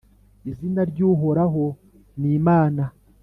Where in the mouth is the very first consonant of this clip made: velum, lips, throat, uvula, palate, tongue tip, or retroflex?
tongue tip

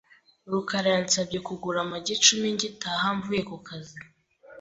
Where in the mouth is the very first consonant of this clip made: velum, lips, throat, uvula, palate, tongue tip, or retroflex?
tongue tip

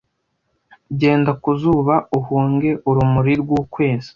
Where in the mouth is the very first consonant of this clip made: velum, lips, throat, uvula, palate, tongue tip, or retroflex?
palate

